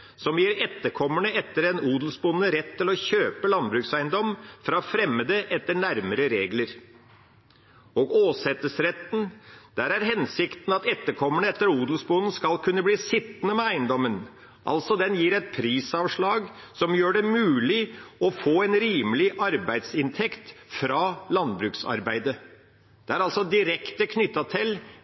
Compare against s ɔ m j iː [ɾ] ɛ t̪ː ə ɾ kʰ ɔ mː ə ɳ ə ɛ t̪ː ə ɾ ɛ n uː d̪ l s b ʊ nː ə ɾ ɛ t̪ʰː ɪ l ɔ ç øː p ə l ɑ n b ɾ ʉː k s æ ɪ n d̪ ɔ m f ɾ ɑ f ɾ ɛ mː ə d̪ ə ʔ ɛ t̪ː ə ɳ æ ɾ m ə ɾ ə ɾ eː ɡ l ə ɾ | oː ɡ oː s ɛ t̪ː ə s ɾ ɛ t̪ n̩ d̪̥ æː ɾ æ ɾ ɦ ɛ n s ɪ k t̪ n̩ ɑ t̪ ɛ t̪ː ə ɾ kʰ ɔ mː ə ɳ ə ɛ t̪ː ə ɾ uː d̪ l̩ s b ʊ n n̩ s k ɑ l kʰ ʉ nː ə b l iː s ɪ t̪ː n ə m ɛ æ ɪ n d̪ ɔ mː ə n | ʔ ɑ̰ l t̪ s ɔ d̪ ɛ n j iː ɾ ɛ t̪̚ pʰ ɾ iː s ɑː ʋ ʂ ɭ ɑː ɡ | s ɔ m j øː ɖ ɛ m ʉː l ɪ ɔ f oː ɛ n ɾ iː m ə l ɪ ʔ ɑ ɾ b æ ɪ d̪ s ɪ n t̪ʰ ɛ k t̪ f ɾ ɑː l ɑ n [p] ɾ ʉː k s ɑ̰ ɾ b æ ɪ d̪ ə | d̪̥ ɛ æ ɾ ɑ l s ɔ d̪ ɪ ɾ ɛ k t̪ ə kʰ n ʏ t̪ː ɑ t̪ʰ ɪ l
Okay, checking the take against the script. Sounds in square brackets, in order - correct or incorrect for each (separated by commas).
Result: correct, incorrect